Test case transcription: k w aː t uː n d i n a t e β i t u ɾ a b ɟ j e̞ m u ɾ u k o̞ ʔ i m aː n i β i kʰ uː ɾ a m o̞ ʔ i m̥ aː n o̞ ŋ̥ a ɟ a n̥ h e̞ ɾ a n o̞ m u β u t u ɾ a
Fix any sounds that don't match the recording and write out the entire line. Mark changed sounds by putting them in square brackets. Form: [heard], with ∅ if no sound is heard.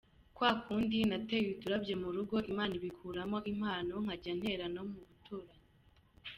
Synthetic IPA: k w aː [k] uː n d i n a t e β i t u ɾ a b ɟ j e̞ m u ɾ u [ɡ] o̞ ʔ i m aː n i β i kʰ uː ɾ a m o̞ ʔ i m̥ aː n o̞ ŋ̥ a ɟ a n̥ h e̞ ɾ a n o̞ m u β u t u ɾ a